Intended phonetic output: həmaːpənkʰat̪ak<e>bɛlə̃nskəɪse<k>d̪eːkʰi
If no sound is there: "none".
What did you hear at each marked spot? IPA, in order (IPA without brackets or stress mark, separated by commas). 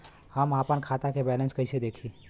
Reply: e, none